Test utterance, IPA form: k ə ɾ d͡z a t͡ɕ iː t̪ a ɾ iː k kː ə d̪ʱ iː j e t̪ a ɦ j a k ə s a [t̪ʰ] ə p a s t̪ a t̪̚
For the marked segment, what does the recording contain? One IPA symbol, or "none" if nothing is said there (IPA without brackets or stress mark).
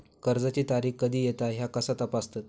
t̪